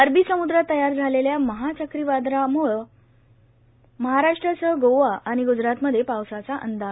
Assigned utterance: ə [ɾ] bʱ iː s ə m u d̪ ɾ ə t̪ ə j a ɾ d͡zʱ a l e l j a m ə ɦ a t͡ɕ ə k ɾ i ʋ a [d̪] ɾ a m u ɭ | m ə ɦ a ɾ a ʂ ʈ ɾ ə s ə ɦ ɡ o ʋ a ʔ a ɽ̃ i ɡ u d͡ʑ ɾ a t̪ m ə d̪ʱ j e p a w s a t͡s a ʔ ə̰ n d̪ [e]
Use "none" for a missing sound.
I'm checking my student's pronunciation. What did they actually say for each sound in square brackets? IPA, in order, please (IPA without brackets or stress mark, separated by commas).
ɾ, d̪, a